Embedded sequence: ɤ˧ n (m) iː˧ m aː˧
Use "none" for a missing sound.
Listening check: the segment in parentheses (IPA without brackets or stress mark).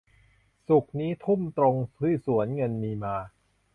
m